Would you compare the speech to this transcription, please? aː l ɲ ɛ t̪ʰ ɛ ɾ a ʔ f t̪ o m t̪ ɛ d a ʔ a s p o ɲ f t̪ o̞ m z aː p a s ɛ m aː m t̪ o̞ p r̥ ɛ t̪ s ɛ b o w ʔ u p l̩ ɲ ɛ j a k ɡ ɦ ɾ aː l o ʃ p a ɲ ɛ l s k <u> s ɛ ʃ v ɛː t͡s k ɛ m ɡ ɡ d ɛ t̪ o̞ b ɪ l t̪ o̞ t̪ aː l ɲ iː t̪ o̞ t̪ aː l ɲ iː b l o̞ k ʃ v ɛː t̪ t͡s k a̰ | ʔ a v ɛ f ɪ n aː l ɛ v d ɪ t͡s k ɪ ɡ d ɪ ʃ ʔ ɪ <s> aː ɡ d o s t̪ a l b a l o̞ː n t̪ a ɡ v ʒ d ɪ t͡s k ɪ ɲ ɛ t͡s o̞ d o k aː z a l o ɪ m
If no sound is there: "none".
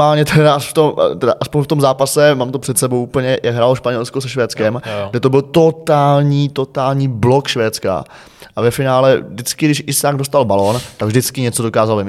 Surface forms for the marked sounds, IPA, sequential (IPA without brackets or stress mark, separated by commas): o, s